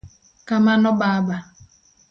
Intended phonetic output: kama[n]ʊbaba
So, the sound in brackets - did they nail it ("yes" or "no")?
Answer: yes